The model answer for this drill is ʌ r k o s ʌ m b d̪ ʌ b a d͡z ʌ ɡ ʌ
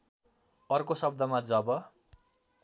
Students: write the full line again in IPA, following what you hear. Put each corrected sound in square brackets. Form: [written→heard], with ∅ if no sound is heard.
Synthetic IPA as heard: ʌ r k o s ʌ [m→∅] b d̪ ʌ [b→m] a d͡z ʌ [ɡ→b] ʌ